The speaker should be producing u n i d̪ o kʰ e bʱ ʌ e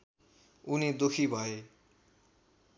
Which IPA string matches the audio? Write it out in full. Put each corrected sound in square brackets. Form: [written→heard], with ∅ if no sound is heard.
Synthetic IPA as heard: u n i d̪ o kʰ [e→i] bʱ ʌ e